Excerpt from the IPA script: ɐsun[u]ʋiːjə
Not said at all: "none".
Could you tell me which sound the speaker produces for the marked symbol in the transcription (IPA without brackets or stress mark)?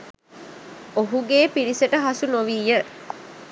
o